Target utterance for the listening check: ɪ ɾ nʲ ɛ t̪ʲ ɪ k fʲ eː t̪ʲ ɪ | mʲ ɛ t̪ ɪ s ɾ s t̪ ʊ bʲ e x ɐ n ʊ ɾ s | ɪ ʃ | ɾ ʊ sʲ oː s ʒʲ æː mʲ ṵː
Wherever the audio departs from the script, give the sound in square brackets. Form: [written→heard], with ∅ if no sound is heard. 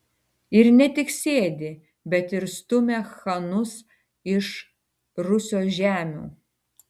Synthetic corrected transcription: ɪ ɾ nʲ ɛ t̪ʲ ɪ k [fʲ→sʲ] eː [t̪ʲ→d̪ʲ] ɪ | [mʲ→bʲ] ɛ t̪ ɪ [s→∅] ɾ s t̪ ʊ [bʲ→mʲ] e x ɐ n ʊ [ɾ→∅] s | ɪ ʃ | ɾ ʊ sʲ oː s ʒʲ æː mʲ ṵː

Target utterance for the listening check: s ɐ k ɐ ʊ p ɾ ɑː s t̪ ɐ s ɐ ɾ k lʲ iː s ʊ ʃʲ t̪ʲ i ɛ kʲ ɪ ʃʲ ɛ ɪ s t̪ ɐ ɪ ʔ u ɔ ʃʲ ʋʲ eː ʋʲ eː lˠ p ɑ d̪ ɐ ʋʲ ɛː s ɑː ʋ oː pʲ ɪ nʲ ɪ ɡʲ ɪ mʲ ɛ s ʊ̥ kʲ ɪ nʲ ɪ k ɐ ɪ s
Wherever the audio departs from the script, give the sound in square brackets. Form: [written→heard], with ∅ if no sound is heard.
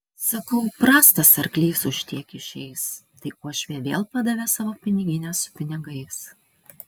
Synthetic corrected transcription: s ɐ k ɐ ʊ p ɾ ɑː s t̪ ɐ s ɐ ɾ k lʲ iː s ʊ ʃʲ t̪ʲ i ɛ kʲ ɪ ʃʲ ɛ ɪ s t̪ ɐ ɪ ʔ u ɔ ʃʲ ʋʲ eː ʋʲ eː lˠ p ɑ d̪ ɐ ʋʲ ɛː s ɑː ʋ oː pʲ ɪ nʲ ɪ ɡʲ ɪ [mʲ→nʲ] ɛ s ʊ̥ [kʲ→pʲ] ɪ nʲ ɪ [k→ɡ] ɐ ɪ s

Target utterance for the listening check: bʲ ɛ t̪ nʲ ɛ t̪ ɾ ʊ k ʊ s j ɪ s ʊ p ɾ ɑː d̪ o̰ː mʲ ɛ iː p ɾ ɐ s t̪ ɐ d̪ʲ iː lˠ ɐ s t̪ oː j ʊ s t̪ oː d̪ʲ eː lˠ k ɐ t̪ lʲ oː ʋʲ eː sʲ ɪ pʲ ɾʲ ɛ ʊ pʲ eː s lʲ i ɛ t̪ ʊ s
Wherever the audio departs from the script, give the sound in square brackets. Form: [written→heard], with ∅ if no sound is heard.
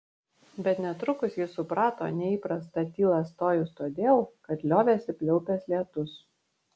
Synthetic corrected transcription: bʲ ɛ t̪ nʲ ɛ t̪ ɾ ʊ k ʊ s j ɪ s ʊ p ɾ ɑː [d̪→t̪] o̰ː [mʲ→nʲ] ɛ iː p ɾ ɐ s t̪ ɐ [d̪ʲ→t̪ʲ] iː lˠ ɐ s t̪ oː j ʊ s t̪ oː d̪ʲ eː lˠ k ɐ t̪ lʲ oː ʋʲ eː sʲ ɪ pʲ [ɾʲ→lʲ] ɛ ʊ pʲ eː s lʲ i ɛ t̪ ʊ s

